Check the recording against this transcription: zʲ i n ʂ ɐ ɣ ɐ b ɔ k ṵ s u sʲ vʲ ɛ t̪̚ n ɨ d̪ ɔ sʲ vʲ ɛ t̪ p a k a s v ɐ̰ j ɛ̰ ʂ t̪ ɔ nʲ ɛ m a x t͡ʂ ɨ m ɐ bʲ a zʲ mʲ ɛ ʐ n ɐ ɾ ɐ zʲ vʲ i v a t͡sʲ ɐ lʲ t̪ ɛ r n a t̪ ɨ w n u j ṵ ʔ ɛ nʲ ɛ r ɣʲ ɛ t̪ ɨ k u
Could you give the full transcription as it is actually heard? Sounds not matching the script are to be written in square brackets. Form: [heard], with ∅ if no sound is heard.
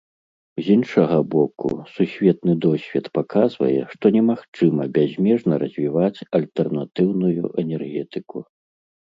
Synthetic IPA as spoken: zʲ i n ʂ ɐ ɣ ɐ b ɔ k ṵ s u sʲ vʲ ɛ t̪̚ n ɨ d̪ ɔ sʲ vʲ ɛ t̪ p a k a [z] v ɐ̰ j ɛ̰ ʂ t̪ ɔ nʲ ɛ m a x t͡ʂ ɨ m ɐ bʲ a zʲ mʲ ɛ ʐ n ɐ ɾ ɐ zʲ vʲ i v a t͡sʲ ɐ lʲ t̪ ɛ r n a t̪ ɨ w n u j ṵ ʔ ɛ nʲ ɛ r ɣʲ ɛ t̪ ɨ k u